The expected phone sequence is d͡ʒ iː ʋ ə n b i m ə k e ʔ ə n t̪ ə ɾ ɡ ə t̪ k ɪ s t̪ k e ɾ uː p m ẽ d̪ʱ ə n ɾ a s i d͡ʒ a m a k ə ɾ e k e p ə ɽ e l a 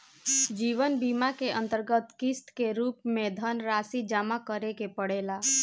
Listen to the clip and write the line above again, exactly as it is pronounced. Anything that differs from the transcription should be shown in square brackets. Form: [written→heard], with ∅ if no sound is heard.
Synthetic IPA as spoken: d͡ʒ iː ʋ ə n b i m [ə→a] k e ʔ ə n t̪ ə ɾ ɡ ə t̪ k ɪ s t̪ k e ɾ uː p m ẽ d̪ʱ ə n ɾ a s i d͡ʒ a m a k ə ɾ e k e p ə ɽ e l a